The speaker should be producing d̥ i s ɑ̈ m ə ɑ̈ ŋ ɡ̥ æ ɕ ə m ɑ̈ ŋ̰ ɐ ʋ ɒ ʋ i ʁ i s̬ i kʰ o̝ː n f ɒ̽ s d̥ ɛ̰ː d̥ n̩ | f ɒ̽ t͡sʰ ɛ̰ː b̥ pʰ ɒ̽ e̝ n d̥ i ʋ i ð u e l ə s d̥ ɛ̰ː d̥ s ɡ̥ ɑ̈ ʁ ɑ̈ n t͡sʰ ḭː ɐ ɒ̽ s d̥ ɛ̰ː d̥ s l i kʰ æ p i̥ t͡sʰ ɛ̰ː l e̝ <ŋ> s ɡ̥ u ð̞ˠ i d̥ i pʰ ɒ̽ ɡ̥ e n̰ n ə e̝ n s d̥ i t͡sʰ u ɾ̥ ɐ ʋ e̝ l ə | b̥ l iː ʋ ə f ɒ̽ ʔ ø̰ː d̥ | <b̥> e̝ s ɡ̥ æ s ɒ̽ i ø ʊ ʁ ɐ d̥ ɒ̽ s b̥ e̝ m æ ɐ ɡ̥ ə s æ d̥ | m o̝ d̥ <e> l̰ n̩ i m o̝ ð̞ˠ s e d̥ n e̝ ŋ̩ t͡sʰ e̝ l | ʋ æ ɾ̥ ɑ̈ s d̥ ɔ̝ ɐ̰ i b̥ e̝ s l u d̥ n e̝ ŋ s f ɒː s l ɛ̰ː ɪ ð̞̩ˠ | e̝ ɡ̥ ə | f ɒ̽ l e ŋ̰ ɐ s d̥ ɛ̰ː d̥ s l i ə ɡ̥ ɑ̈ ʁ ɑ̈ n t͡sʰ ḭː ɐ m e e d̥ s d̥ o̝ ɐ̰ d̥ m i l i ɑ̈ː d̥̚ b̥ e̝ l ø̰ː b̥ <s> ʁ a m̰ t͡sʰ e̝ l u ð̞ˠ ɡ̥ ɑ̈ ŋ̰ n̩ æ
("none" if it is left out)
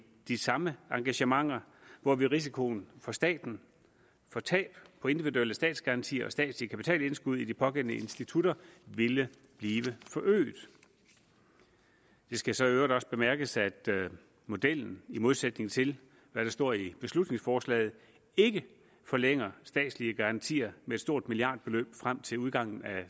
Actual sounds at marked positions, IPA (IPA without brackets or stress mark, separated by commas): n, d̥, e, f